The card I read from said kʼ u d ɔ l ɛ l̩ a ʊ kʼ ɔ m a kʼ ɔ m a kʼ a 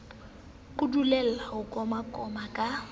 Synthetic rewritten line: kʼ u d u l ɛ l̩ a ʊ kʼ ɔ m a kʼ ɔ m a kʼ a

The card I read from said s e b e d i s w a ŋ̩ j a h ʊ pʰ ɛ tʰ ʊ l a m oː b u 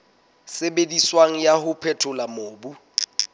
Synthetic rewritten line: s e b e d i s w a ŋ̩ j a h ʊ pʰ ɛ tʰ ʊ l a m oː b u

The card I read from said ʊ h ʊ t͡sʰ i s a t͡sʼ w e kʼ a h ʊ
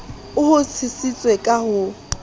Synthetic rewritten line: ʊ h ʊ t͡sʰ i s i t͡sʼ w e kʼ a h ʊ

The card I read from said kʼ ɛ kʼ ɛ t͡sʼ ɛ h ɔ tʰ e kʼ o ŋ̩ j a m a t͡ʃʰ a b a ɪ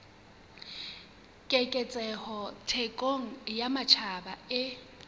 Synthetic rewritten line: kʼ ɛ kʼ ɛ t͡sʼ ɛ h ɔ tʰ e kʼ o ŋ̩ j a m a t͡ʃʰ a b a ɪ

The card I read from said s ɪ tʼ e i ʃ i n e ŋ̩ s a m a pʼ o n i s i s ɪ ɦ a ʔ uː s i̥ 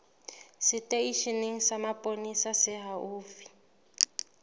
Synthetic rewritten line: s ɪ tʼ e i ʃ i n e ŋ̩ s a m a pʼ o n i s a s ɪ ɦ a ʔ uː f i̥

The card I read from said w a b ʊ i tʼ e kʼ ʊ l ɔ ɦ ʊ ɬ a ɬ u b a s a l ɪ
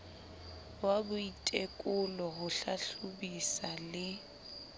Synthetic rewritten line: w a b ʊ i tʼ e kʼ ʊ l ɔ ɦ ʊ ɬ a ɬ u b i s a l ɪ

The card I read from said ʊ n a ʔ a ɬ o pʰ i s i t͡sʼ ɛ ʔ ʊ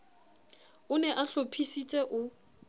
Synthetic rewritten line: ʊ n ɛ ʔ a ɬ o pʰ i s i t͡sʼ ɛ ʔ ʊ

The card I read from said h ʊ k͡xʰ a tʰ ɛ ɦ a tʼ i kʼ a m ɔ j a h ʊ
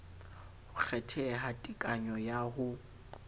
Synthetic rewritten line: h ʊ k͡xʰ ɛ tʰ ɛ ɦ a tʼ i kʼ a ɲ ɔ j a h ʊ

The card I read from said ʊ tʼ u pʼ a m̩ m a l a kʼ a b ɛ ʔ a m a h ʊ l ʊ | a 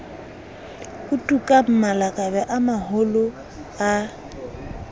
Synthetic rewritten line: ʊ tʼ u kʼ a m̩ m a l a kʼ a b ɛ ʔ a m a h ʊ l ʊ | a

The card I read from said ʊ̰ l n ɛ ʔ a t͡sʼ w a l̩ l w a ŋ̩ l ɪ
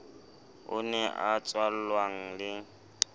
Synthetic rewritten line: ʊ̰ n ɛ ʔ a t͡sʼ w a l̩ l w a ŋ̩ l ɪ

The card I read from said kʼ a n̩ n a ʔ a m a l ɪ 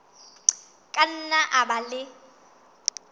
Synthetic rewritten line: kʼ a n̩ n a ʔ a b a l ɪ

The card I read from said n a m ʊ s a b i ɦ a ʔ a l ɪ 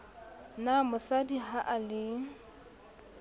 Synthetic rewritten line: n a m ʊ s a d i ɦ a ʔ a l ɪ

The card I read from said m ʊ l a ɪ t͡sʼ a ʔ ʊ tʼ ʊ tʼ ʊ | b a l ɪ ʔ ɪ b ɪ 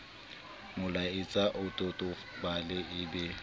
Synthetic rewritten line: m ʊ l a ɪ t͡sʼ a ʔ ʊ tʼ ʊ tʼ ʊ | b a l ɪ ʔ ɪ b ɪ

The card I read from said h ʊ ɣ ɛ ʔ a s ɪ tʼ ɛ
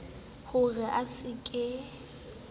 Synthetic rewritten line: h ʊ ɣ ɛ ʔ a s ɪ kʼ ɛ

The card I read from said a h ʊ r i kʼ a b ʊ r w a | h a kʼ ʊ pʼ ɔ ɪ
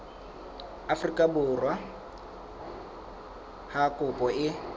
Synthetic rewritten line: a f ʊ r i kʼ a b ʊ r w a | h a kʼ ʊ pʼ ɔ ɪ

